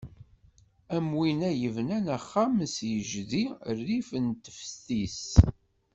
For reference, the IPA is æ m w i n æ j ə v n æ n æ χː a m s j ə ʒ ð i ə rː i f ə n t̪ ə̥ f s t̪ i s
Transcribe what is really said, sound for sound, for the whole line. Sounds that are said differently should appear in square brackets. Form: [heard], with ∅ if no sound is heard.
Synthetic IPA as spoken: æ m w i n æ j ə v n æ n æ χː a m s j ə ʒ ð i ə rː i f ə n t̪ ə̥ f s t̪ i s